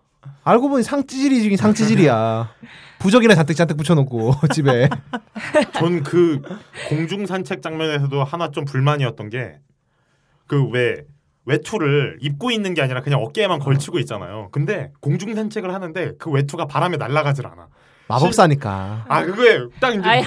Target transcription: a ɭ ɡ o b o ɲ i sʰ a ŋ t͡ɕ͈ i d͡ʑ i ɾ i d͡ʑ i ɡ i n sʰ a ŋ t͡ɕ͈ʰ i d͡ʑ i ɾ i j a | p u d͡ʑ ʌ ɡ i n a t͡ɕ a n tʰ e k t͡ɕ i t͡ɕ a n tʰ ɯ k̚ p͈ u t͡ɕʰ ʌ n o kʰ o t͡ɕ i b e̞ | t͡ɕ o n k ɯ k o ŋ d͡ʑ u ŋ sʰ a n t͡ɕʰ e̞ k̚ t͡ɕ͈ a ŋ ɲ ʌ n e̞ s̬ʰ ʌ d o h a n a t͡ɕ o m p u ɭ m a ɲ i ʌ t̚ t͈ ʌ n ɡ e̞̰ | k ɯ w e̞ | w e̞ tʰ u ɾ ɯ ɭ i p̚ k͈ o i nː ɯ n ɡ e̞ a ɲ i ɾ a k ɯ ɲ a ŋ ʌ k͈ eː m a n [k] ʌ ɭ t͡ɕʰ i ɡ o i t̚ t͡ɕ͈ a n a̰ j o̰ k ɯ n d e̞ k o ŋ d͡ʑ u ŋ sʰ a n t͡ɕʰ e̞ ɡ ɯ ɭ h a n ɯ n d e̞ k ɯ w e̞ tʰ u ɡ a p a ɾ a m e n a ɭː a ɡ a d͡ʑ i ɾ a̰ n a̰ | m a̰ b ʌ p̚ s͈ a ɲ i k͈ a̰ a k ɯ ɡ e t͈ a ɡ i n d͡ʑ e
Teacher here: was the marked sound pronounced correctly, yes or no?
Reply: yes